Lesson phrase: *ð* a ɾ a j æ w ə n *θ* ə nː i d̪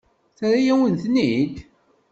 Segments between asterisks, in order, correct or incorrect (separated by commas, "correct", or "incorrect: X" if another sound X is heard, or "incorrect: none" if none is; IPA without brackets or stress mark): incorrect: θ, correct